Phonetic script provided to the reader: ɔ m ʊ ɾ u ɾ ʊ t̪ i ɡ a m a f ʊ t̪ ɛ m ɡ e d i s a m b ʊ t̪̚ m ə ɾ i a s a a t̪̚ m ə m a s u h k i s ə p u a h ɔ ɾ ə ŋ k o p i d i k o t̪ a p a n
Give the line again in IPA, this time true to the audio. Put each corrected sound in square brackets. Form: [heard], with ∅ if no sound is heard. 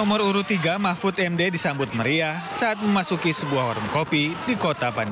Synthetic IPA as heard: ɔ m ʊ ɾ u ɾ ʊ t̪ i ɡ a m a f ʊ t̪ ɛ m [d] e d i s a m b ʊ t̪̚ m ə ɾ i a s a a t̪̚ m ə m a s u [∅] k i s ə [b] u a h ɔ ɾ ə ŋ k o p i d i k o t̪ a p a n